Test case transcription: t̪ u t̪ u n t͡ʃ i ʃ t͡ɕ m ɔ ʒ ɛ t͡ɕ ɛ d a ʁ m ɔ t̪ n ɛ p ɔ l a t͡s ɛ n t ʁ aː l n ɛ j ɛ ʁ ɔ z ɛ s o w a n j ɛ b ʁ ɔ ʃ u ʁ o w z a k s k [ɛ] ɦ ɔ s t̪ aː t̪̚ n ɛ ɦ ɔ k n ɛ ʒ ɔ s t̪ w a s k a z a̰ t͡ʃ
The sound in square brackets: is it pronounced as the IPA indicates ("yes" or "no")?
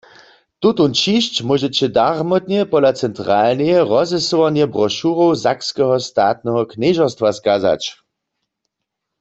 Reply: yes